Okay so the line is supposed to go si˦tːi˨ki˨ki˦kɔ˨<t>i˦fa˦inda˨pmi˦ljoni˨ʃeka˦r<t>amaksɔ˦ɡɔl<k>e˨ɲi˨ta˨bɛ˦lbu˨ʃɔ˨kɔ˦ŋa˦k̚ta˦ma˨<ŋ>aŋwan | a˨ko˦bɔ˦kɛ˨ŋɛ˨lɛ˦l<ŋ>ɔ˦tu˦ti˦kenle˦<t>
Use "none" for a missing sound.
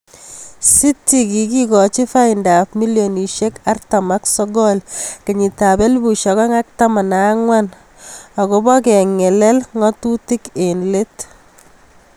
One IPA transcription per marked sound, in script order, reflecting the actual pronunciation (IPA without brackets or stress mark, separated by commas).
t͡ʃ, t, k, n, ŋ, t